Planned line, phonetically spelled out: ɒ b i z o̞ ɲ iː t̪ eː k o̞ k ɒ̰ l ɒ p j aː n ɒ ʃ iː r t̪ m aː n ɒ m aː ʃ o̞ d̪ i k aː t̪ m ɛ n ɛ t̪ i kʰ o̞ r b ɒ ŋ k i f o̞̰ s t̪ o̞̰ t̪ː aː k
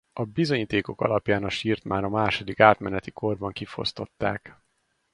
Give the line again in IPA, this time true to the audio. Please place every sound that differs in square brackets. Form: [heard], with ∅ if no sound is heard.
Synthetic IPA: ɒ b i z o̞ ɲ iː t̪ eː k o̞ k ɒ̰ l ɒ p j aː n ɒ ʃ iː r t̪ m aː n ɒ m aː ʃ o̞ d̪ i k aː t̪ m ɛ n ɛ t̪ i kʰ o̞ r b ɒ ŋ k i f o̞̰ s t̪ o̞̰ t̪ː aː k